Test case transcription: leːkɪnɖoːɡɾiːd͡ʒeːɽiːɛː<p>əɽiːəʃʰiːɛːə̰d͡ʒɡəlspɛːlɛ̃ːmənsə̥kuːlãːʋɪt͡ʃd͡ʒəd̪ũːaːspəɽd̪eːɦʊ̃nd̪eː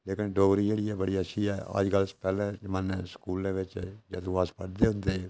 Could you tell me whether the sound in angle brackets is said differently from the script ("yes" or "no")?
yes